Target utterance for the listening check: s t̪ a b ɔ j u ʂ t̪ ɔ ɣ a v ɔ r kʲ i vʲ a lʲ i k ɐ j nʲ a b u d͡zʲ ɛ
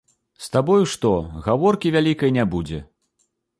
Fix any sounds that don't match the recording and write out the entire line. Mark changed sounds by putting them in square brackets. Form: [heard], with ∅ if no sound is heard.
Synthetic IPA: s t̪ a b ɔ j u ʂ t̪ ɔ ɣ a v ɔ r kʲ i vʲ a lʲ i k ɐ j nʲ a b u d͡zʲ ɛ